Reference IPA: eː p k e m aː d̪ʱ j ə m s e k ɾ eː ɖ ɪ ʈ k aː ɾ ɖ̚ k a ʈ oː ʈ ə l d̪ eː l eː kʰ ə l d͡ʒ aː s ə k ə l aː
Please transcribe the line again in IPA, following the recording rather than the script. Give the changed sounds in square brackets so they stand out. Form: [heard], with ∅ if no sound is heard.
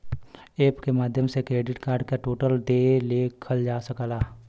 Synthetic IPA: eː p k e m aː d̪ʱ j ə m s e k ɾ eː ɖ ɪ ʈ k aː ɾ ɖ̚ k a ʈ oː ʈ ə l d̪ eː l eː kʰ ə l d͡ʒ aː s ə k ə l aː